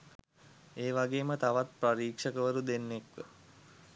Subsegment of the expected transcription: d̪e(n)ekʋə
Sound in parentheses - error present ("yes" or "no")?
yes